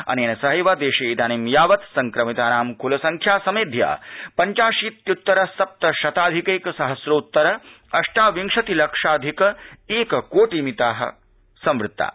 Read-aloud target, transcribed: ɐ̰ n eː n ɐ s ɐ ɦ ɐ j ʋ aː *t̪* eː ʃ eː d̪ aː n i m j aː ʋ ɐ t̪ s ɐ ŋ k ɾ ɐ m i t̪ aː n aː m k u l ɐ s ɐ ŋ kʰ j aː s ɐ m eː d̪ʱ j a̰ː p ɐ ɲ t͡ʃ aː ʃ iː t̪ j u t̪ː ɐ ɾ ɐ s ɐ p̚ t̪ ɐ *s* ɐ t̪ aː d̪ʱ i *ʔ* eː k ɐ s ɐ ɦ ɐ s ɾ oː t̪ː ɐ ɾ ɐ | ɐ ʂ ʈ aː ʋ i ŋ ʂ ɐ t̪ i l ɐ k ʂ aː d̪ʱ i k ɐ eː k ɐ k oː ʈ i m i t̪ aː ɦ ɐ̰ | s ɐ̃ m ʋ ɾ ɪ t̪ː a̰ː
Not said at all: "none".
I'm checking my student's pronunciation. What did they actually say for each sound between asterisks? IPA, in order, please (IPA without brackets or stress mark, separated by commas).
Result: d̪, ʃ, k